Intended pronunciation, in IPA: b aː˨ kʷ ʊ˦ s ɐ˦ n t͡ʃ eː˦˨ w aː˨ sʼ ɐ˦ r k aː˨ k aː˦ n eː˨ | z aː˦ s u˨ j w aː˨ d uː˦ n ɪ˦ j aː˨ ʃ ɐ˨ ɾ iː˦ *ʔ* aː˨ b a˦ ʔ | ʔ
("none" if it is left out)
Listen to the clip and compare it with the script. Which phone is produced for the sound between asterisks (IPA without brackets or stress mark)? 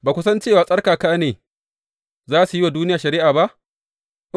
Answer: ʔ